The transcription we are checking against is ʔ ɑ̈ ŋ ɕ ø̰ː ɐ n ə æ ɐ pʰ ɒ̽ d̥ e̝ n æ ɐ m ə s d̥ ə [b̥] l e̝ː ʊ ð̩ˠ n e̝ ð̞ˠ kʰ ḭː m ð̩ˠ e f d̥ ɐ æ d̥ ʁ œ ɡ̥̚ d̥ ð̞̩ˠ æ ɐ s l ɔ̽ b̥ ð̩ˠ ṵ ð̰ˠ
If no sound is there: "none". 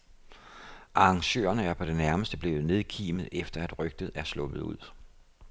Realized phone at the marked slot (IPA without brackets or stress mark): b̥